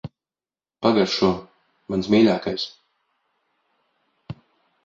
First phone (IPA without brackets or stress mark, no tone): p